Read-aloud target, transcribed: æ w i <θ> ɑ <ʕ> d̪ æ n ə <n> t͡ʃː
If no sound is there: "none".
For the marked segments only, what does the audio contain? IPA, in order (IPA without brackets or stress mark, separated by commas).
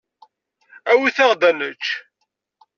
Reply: θ, ʁ, none